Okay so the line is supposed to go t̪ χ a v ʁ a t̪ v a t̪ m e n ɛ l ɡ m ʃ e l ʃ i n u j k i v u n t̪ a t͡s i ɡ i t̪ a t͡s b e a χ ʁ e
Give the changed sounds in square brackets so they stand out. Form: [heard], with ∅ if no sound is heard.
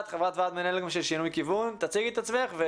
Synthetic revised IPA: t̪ χ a v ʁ a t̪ v a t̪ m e n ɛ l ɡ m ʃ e l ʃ i n u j k i v u n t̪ a t͡s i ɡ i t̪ a t͡s [m] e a χ [v] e